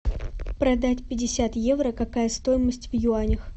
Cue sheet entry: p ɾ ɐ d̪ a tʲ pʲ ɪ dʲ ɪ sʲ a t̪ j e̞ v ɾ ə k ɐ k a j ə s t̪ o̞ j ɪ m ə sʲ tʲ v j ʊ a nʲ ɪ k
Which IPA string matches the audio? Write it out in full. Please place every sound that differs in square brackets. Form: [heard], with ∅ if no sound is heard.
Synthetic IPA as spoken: p ɾ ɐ d̪ a tʲ pʲ ɪ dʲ ɪ sʲ a t̪ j e̞ v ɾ ə k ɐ k a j ə s t̪ o̞ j ɪ m ə sʲ tʲ v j ʊ a nʲ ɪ [x]